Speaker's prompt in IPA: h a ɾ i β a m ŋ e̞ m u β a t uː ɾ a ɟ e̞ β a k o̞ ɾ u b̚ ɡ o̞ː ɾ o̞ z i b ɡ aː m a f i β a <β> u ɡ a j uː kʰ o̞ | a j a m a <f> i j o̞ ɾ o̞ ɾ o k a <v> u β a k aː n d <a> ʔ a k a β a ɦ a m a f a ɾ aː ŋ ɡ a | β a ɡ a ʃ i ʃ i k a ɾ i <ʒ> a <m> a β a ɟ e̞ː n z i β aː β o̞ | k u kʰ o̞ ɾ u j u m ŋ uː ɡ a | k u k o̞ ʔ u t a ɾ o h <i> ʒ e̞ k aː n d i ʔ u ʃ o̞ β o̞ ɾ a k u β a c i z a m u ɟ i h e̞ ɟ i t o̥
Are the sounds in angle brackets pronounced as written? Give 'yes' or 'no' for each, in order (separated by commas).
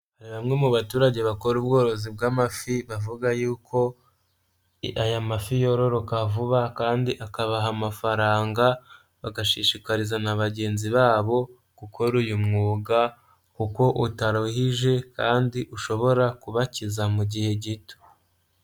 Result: no, yes, yes, no, no, no, yes